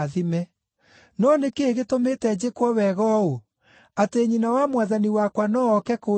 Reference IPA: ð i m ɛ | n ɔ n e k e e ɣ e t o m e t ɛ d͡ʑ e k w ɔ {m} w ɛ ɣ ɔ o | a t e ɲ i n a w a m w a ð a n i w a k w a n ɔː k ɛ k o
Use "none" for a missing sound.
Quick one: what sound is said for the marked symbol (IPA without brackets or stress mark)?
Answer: none